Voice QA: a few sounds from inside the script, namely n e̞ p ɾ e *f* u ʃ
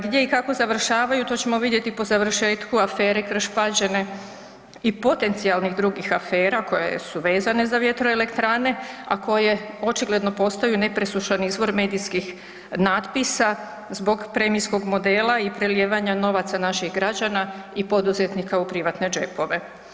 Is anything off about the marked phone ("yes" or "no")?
yes